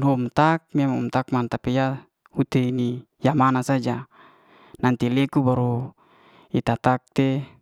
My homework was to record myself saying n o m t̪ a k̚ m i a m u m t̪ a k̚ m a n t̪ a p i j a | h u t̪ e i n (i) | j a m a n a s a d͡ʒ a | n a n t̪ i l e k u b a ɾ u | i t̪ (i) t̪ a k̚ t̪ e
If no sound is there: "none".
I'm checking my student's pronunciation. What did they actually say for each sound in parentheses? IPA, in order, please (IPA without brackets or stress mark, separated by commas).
i, a